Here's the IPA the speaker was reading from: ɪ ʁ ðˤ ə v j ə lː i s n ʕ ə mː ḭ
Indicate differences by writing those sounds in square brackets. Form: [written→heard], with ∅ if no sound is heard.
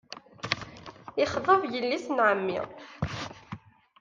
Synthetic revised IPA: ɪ [ʁ→χ] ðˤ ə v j ə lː i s n ʕ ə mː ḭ